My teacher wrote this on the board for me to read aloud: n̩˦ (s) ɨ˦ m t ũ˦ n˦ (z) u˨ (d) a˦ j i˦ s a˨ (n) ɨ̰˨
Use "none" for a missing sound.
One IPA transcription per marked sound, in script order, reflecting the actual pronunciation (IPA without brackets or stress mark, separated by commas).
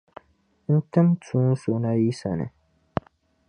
t, s, n, n